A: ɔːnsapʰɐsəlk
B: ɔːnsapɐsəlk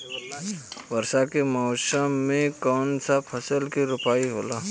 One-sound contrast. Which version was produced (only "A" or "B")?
A